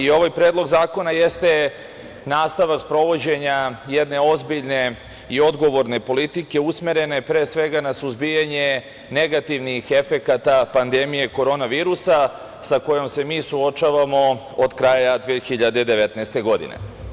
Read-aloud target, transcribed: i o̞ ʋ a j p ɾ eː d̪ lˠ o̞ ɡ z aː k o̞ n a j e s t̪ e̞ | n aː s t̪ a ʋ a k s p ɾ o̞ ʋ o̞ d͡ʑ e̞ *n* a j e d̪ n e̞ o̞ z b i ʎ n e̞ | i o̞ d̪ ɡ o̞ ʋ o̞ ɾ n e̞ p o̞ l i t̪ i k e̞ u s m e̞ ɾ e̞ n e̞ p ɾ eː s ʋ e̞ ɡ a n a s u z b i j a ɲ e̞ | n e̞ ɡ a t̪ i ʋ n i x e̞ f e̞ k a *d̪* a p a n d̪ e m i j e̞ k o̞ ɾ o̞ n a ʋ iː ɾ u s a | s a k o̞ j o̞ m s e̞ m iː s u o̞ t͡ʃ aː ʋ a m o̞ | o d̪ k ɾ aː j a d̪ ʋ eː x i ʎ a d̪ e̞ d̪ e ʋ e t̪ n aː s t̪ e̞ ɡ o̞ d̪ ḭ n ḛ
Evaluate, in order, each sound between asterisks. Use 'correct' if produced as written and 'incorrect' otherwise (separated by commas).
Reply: incorrect, incorrect